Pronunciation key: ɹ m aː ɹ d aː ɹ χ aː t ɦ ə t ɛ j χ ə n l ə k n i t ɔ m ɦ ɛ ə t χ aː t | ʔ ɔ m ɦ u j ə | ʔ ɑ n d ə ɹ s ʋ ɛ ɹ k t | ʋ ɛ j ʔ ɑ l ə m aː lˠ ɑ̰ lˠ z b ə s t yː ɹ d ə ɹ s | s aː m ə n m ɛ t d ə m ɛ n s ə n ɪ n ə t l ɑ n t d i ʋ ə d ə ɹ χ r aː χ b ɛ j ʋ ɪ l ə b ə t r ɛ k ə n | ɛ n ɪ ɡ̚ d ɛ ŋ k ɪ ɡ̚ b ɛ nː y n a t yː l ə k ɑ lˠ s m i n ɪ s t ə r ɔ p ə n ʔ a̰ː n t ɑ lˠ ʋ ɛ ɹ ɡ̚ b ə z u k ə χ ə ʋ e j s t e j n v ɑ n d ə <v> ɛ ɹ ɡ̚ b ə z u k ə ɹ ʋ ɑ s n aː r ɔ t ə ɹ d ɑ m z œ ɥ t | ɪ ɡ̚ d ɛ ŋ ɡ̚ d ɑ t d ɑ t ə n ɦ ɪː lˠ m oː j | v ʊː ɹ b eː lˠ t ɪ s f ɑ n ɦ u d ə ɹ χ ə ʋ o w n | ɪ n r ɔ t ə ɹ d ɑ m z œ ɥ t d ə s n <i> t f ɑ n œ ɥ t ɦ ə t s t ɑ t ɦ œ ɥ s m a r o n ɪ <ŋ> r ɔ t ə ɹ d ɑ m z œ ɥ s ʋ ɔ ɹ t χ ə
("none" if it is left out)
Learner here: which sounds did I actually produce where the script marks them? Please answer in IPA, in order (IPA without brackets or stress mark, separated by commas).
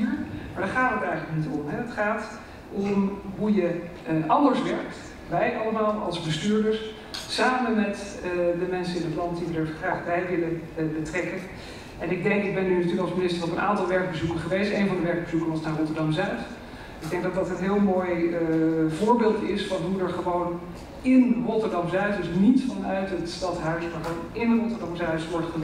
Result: ʋ, i, n